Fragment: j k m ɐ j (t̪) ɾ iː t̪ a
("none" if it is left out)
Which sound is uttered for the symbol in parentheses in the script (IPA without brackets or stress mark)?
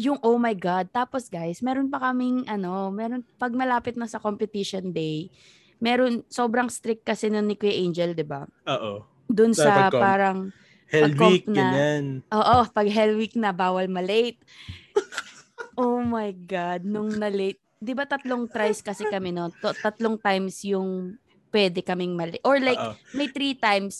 t̪